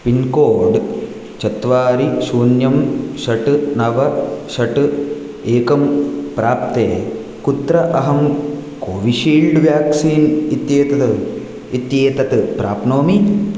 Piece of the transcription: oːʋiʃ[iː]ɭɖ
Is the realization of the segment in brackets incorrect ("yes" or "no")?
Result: no